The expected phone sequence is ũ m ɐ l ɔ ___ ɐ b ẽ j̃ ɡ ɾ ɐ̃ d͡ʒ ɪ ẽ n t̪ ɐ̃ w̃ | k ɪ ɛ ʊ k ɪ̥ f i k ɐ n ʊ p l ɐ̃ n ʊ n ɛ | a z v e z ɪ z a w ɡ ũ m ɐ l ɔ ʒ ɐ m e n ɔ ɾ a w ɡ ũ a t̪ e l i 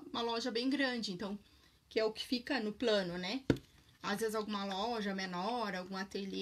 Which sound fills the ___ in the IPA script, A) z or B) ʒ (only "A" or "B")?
B